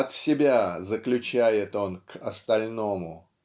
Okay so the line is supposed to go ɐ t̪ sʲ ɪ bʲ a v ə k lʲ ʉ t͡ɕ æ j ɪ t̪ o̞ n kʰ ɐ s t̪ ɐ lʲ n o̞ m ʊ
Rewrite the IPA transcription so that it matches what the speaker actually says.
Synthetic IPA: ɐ t̪ sʲ ɪ bʲ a z ə k lʲ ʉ t͡ɕ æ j ɪ t̪ o̞ n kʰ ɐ s t̪ ɐ lʲ n o̞ m ʊ

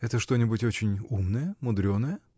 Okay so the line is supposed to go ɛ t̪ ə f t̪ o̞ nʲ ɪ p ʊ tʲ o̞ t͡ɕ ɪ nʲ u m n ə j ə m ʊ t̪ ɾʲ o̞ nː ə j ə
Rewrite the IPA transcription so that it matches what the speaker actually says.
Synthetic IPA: ɛ t̪ ə ʂ t̪ o̞ nʲ ɪ b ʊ tʲ o̞ t͡ɕ ɪ nʲ u m n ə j ə m ʊ d̪ ɾʲ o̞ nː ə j ə

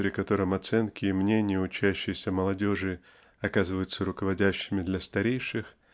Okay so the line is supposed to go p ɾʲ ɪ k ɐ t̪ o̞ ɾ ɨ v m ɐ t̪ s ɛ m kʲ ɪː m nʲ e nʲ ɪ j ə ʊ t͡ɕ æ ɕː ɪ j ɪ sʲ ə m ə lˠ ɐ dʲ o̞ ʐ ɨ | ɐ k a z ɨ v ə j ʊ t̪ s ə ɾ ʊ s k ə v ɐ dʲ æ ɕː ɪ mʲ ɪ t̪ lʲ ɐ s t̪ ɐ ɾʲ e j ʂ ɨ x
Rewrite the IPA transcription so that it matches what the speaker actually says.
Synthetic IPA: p ɾʲ ɪ k ɐ t̪ o̞ ɾ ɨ m ɐ t̪ s ɛ n kʲ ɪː m nʲ e nʲ ɪ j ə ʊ t͡ɕ æ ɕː ɪ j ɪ sʲ ə m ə lˠ ɐ dʲ o̞ ʐ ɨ | ɐ k a z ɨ v ə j ʊ t̪ s ə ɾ ʊ k ə v ɐ dʲ æ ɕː ɪ mʲ ɪ d̪ lʲ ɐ s t̪ ɐ ɾʲ e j ʂ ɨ x

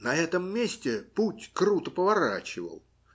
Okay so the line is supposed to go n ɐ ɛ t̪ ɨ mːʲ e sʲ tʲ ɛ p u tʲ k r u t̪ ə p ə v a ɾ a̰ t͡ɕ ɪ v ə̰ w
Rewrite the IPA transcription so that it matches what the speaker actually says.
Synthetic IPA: n ɐ ɛ t̪ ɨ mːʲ e sʲ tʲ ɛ p u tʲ k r u t̪ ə p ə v a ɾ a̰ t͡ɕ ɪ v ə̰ w

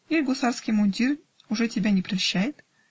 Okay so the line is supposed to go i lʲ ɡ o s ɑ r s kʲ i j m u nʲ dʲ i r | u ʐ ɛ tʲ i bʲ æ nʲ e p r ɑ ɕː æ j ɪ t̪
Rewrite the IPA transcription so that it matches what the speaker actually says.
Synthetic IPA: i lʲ ɡ o s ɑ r s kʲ i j m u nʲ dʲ i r | u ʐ ɛ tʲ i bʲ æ nʲ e p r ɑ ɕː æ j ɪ t̪

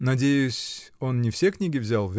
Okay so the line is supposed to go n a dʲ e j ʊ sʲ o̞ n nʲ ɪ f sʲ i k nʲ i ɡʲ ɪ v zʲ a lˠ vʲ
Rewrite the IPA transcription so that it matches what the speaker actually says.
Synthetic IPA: n ɐ dʲ e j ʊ sʲ o̞ n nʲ ɪ f sʲ e k nʲ i ɡʲ ɪ v zʲ a lˠ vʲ

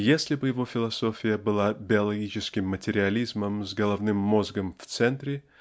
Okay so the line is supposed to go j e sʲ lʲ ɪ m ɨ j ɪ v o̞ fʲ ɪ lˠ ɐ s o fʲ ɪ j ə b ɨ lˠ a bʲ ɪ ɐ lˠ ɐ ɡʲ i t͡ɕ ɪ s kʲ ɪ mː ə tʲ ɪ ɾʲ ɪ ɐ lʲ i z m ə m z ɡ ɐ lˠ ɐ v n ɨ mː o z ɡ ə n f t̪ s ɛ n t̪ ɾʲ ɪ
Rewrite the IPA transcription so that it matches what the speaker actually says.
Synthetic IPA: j e sʲ lʲ ɪ b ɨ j ɪ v o̞ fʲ ɪ lˠ ɐ s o fʲ ɪ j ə b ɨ lˠ a bʲ ɪ ɐ lˠ ɐ ɡʲ i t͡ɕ ɪ s kʲ ɪ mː ə tʲ ɪ ɾʲ ɪ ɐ lʲ i z m ə m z ɡ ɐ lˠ ɐ v n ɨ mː o z ɡ ə m f t̪ s ɛ n t̪ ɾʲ ɪ

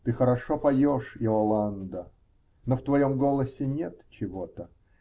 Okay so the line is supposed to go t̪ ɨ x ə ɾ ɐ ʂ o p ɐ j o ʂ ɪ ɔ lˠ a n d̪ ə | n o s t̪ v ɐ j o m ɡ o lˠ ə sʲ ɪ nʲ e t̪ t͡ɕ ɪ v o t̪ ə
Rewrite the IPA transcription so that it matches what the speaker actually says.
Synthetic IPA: t̪ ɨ x ə ɾ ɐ ʂ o p ɐ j o ʂ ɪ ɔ lˠ a n d̪ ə | n o f t̪ v ɐ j o m ɡ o lˠ ə sʲ ɪ nʲ e t̪ t͡ɕ ɪ v o t̪ ə

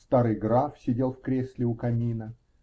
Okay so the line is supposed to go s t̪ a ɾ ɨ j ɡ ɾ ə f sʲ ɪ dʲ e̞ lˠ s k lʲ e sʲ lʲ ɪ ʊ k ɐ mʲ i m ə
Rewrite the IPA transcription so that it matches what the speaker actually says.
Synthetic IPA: s t̪ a ɾ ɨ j ɡ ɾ a f sʲ ɪ dʲ e̞ lˠ f k ɾʲ e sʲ lʲ ɪ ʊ k ɐ mʲ i n ə

